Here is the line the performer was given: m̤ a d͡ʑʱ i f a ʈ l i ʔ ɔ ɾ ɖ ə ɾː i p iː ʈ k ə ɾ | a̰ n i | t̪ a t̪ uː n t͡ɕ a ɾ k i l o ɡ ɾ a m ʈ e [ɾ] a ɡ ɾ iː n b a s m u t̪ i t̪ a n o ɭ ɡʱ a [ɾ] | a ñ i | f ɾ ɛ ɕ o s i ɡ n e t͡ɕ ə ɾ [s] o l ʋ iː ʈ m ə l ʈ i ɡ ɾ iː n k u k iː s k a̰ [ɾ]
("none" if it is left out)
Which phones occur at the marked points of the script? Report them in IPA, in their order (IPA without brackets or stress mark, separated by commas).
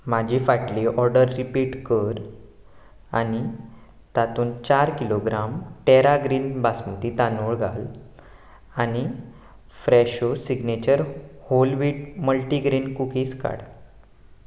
ɾ, l, h, ɽ